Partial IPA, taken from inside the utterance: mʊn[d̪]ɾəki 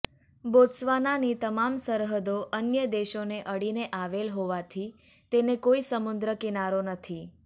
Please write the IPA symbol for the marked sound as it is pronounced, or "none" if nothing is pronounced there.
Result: d̪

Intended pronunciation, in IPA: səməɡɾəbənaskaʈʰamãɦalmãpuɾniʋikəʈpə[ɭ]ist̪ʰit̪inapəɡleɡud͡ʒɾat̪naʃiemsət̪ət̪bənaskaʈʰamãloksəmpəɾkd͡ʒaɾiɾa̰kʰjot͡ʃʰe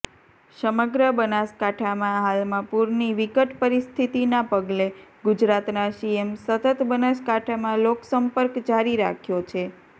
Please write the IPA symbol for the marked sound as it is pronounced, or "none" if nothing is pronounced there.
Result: ɾ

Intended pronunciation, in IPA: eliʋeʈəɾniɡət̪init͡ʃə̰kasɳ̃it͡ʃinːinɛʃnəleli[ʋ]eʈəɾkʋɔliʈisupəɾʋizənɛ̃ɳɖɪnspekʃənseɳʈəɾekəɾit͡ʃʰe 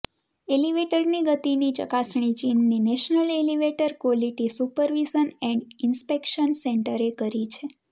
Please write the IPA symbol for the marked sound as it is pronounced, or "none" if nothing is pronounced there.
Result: ʋ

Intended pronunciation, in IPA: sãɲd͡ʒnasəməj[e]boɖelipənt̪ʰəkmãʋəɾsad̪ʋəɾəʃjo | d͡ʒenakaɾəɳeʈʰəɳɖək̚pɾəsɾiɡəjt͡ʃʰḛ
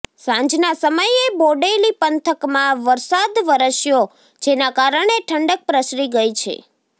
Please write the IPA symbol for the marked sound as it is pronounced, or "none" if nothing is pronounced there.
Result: e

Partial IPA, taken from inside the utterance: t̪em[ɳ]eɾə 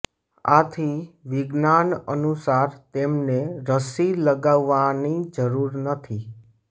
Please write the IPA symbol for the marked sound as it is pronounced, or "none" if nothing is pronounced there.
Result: n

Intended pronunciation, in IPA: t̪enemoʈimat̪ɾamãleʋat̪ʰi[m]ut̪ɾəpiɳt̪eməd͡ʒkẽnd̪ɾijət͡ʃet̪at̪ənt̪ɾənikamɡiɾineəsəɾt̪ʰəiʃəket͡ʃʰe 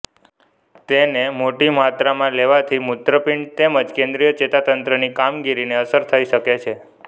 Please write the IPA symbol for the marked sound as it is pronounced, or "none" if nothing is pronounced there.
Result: m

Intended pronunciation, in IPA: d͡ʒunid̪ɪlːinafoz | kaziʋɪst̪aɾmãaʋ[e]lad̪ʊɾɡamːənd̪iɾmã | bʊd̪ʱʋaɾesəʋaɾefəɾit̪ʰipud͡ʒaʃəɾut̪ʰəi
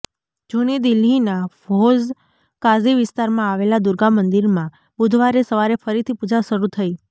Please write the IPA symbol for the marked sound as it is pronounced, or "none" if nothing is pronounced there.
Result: e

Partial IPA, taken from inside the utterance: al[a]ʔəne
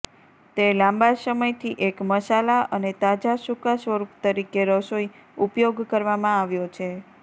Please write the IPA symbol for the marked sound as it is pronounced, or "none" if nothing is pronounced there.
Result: a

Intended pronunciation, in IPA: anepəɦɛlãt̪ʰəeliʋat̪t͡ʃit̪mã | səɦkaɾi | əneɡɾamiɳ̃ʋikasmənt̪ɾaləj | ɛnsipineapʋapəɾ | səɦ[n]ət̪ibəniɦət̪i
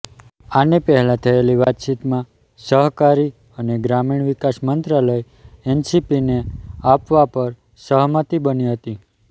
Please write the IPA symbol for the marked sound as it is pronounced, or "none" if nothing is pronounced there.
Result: m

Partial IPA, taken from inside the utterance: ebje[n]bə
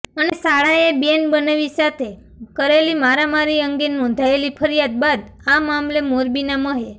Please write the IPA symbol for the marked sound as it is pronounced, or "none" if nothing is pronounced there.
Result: n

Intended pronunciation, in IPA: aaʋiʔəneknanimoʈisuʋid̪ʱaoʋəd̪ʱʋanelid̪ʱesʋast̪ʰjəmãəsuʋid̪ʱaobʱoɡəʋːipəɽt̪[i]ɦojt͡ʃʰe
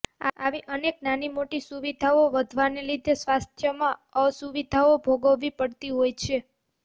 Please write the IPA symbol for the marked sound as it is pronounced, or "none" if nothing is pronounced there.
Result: i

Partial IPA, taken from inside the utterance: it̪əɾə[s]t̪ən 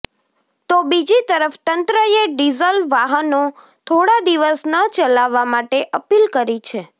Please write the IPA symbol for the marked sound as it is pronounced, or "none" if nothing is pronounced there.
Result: f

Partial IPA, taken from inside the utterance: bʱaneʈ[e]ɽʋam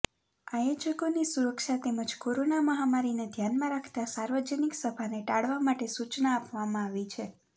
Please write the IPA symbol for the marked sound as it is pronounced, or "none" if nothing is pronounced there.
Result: a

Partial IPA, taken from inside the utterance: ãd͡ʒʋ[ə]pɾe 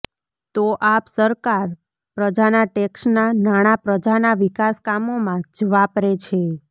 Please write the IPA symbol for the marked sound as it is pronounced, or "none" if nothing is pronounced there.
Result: a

